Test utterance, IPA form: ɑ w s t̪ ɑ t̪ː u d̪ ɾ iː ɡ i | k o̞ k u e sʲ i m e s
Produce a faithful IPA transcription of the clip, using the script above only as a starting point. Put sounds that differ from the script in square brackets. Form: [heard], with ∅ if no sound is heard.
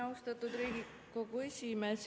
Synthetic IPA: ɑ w s t̪ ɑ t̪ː u d̪ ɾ iː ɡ i | k o̞ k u e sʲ i m e s